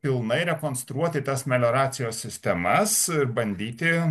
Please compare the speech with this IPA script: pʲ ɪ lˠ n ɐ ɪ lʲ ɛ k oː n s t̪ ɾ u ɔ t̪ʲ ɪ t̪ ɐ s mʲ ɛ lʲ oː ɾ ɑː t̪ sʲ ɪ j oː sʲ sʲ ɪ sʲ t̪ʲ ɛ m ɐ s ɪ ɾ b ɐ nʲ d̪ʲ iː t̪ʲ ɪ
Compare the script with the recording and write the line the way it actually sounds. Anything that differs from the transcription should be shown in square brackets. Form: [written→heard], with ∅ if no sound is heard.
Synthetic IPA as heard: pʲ ɪ lˠ n ɐ ɪ [lʲ→ɾʲ] ɛ k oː n s t̪ ɾ u ɔ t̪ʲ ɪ t̪ ɐ s mʲ ɛ lʲ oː ɾ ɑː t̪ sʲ ɪ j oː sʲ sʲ ɪ sʲ t̪ʲ ɛ m ɐ s ɪ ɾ b ɐ nʲ d̪ʲ iː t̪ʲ ɪ